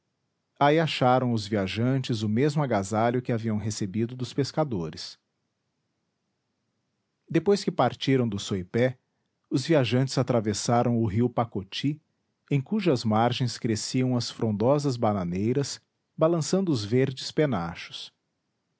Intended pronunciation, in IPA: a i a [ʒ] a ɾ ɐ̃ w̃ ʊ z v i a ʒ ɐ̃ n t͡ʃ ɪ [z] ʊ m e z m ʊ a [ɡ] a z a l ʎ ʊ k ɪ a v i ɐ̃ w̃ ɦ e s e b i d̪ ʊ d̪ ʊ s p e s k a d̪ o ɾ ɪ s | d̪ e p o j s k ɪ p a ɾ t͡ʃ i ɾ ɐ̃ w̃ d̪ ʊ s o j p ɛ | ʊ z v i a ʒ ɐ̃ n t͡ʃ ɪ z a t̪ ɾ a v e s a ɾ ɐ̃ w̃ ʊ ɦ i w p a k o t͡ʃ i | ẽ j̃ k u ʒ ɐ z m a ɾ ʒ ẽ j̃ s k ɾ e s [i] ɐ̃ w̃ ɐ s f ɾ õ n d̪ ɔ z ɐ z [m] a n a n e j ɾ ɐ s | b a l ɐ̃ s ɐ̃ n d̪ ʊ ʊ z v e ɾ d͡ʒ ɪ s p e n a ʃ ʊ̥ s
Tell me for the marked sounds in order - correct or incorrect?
incorrect, correct, correct, correct, incorrect

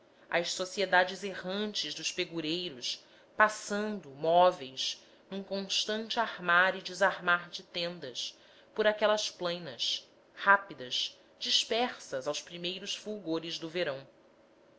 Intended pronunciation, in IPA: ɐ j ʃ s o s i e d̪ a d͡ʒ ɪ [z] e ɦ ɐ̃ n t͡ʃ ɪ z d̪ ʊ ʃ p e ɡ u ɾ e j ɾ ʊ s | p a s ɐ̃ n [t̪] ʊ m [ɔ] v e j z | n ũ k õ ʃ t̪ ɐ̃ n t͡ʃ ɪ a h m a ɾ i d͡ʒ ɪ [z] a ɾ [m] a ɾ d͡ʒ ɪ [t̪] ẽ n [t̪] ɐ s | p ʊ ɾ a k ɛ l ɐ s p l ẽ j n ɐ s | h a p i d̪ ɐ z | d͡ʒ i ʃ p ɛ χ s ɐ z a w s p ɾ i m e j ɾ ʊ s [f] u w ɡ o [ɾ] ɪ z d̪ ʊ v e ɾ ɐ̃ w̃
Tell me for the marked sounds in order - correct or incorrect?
correct, incorrect, correct, correct, correct, correct, incorrect, correct, correct

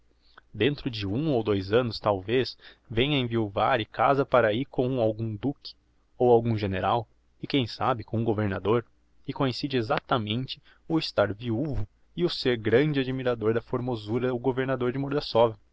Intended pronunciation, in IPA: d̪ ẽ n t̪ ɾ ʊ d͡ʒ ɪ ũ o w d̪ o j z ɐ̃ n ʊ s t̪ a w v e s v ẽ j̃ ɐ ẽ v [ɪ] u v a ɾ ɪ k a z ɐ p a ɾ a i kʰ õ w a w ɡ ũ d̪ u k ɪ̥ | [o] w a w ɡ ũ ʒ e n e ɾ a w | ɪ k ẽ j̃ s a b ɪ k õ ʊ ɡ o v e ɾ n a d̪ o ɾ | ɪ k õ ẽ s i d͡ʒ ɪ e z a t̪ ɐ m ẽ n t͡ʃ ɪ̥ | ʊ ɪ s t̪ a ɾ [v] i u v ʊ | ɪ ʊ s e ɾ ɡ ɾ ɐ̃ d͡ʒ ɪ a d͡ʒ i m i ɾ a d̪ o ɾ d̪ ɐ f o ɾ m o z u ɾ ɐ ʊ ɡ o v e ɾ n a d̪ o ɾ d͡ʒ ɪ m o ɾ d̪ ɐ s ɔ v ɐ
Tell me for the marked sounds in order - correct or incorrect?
incorrect, correct, correct

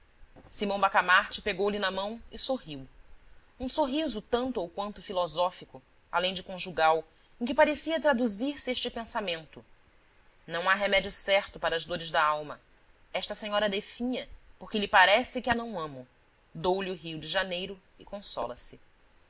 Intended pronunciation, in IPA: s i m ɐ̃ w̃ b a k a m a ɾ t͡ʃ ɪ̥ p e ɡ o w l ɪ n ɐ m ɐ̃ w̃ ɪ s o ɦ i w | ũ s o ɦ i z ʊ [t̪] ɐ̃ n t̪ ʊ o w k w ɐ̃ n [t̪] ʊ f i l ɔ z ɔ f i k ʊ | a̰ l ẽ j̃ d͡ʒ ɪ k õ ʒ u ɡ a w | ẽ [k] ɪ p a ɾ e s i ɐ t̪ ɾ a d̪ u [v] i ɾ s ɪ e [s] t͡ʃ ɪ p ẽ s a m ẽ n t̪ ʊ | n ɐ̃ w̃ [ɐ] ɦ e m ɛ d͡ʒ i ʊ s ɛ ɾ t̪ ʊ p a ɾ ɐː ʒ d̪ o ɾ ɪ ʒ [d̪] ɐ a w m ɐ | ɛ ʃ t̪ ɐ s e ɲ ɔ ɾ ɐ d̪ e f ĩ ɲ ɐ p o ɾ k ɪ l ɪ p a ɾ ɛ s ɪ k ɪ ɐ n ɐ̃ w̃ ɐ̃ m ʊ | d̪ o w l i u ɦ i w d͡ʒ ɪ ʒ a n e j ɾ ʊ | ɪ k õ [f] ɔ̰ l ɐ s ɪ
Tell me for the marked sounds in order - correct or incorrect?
correct, correct, correct, incorrect, incorrect, incorrect, correct, incorrect

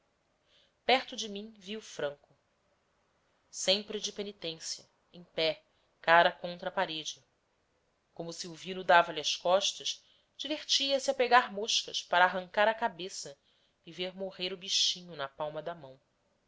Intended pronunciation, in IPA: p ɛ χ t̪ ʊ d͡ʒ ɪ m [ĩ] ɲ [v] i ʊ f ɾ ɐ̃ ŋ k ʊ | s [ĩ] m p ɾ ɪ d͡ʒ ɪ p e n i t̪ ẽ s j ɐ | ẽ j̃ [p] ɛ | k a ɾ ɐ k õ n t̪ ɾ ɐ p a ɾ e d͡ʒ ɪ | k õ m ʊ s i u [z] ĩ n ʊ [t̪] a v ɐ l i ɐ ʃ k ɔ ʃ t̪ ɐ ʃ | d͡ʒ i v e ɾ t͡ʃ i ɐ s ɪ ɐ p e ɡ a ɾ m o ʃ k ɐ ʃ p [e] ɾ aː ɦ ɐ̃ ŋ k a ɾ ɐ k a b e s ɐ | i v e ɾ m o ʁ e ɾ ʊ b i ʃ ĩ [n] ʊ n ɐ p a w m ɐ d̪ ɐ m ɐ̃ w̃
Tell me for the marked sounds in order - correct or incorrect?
correct, correct, incorrect, correct, incorrect, incorrect, incorrect, incorrect

